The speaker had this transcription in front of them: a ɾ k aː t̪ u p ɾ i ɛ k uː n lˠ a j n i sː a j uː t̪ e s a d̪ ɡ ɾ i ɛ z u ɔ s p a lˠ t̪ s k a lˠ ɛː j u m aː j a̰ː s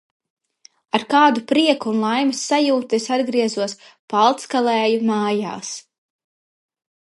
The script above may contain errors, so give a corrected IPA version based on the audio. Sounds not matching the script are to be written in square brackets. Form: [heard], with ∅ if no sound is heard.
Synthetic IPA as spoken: a ɾ k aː [d̪] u p ɾ i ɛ k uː n lˠ a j [m] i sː a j uː t̪ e s a d̪ ɡ ɾ i ɛ z u ɔ s p a lˠ t̪ s k a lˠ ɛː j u m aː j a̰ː s